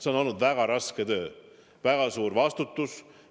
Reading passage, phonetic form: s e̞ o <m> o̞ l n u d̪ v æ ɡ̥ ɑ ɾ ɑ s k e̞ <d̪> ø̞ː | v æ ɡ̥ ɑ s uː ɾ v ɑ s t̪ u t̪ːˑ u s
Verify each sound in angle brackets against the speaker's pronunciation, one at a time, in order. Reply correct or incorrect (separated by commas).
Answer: incorrect, incorrect